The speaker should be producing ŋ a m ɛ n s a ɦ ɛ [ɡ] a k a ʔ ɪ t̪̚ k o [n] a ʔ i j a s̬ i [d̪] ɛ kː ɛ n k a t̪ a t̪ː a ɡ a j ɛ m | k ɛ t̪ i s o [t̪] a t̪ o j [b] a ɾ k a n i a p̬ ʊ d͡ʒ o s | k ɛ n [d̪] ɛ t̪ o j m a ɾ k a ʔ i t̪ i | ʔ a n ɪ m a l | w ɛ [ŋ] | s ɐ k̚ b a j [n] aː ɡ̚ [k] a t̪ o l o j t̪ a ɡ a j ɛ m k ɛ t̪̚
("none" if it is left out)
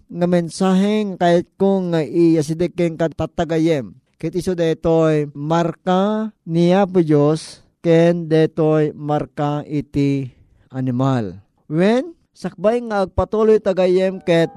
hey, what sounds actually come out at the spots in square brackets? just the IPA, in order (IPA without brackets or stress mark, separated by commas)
ŋ, ŋ, d̪, d̪, m, d̪, n, ŋ, p